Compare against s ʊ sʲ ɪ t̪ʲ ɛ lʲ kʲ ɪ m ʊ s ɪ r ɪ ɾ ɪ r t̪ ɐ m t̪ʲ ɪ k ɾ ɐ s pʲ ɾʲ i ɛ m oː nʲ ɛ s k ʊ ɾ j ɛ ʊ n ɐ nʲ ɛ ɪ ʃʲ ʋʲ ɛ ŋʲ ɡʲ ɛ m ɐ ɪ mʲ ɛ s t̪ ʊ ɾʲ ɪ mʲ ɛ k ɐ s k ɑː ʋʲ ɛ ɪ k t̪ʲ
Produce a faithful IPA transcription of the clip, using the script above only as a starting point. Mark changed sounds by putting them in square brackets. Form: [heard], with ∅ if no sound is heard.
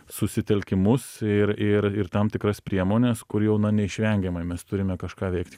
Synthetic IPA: s ʊ sʲ ɪ t̪ʲ ɛ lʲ kʲ ɪ m ʊ s ɪ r ɪ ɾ ɪ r t̪ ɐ m t̪ʲ ɪ k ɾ ɐ s pʲ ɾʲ i ɛ m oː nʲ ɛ s k ʊ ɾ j ɛ ʊ n ɐ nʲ ɛ ɪ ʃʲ ʋʲ ɛ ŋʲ ɡʲ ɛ m ɐ ɪ mʲ ɛ s t̪ ʊ ɾʲ ɪ mʲ ɛ k ɐ [ʃ] k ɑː ʋʲ ɛ ɪ k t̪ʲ